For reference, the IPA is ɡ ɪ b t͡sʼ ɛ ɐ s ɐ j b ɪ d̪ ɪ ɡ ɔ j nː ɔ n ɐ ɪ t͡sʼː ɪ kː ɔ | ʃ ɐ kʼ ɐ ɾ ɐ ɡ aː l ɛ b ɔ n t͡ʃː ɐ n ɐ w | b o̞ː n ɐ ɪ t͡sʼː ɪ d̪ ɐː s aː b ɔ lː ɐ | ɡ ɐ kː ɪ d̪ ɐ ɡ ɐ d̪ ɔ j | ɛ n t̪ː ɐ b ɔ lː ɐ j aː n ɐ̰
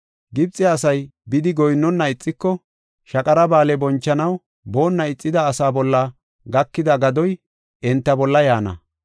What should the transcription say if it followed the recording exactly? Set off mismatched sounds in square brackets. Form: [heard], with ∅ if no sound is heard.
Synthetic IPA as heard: ɡ ɪ b t͡sʼ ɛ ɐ s ɐ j b ɪ d̪ ɪ ɡ ɔ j nː ɔ [nː] ɐ ɪ t͡sʼː ɪ kː ɔ | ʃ ɐ kʼ ɐ ɾ ɐ [b] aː l ɛ b ɔ n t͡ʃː ɐ n ɐ w | b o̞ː [nː] ɐ ɪ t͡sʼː ɪ d̪ ɐː s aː b ɔ lː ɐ | ɡ ɐ kː ɪ d̪ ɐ ɡ ɐ d̪ ɔ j | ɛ n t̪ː ɐ b ɔ lː ɐ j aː n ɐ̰